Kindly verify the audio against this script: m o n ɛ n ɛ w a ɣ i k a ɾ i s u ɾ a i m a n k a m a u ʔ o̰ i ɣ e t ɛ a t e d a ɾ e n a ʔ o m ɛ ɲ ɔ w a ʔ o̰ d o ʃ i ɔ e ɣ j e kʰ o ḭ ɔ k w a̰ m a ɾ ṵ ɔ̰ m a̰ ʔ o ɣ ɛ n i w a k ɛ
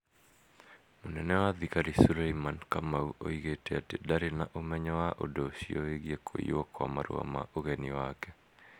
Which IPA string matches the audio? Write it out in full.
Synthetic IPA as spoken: m o n ɛ n ɛ w a ð i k a ɾ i s u ɾ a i m a n k a m a u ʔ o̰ i ɣ e t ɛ a t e d a ɾ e n a ʔ o m ɛ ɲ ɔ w a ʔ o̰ d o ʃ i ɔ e ɣ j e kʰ o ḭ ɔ k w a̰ m a ɾ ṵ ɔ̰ m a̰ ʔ o ɣ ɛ n i w a k ɛ